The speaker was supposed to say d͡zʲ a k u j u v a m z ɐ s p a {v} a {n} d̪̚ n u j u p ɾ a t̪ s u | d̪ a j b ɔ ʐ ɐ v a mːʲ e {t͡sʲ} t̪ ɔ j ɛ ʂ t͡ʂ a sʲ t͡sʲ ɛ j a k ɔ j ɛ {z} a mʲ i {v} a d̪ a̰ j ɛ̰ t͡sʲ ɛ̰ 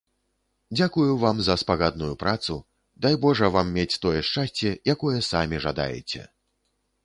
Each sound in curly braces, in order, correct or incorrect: incorrect, incorrect, correct, incorrect, incorrect

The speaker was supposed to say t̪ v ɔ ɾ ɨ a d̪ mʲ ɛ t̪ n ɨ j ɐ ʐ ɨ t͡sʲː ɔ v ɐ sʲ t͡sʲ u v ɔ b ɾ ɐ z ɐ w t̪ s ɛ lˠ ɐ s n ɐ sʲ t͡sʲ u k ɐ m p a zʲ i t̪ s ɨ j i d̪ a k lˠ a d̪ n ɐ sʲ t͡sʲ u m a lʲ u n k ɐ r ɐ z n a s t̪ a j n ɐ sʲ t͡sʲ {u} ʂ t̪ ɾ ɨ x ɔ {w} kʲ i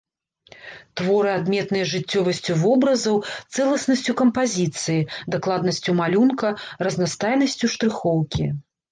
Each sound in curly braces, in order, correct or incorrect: correct, correct

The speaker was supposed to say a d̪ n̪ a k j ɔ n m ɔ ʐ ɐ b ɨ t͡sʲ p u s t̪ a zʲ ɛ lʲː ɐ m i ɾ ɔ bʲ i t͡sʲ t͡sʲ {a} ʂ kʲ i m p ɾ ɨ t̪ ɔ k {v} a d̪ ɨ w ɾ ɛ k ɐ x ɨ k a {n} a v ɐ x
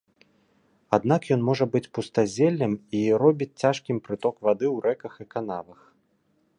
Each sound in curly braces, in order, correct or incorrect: correct, correct, correct

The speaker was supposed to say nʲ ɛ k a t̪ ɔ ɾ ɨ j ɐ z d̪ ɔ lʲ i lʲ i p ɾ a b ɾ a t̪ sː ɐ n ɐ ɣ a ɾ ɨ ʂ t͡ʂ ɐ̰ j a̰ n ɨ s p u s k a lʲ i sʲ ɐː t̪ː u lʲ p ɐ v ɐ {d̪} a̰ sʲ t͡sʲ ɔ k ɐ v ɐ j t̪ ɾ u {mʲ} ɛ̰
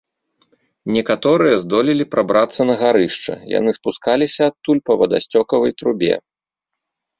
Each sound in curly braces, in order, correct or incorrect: correct, incorrect

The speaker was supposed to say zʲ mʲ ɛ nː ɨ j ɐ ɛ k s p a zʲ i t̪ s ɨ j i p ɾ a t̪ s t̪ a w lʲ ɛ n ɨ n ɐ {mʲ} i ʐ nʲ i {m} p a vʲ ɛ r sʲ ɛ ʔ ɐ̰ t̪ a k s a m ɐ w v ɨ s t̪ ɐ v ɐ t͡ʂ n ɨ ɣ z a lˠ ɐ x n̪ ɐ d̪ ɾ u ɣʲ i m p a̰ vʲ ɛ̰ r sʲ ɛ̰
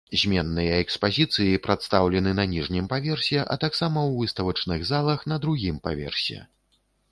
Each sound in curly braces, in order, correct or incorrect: incorrect, correct

